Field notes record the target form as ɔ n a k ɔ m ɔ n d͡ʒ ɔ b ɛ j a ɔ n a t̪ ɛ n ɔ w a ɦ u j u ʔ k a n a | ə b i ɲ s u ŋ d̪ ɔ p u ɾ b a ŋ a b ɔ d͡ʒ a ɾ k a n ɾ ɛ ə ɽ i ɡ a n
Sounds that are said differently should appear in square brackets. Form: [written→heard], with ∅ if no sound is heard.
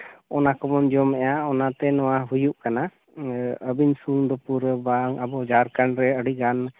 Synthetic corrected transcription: ɔ n a k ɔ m ɔ n d͡ʒ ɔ [b→m] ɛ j a ɔ n a t̪ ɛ n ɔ w a ɦ u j u ʔ k a n a | ə b i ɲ s u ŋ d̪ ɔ p u ɾ b a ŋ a b ɔ d͡ʒ a ɾ k a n ɾ ɛ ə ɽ i ɡ a n